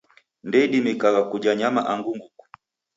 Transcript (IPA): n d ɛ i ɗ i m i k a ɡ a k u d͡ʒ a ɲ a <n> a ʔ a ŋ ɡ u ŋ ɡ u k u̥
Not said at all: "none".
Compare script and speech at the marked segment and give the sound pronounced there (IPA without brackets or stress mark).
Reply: m